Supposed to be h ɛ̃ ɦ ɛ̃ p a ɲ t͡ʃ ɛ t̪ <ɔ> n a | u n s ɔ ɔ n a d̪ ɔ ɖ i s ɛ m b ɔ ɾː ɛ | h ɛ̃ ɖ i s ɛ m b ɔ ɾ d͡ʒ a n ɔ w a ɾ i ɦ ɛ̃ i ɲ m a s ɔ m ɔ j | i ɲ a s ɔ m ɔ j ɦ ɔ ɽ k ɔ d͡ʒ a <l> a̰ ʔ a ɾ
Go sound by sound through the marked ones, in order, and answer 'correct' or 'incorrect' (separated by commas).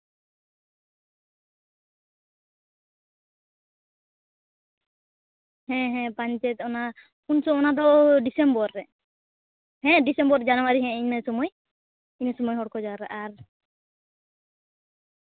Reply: correct, incorrect